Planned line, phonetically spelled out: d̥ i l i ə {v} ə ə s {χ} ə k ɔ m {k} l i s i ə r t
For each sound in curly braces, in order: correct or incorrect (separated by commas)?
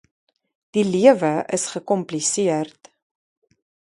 correct, correct, incorrect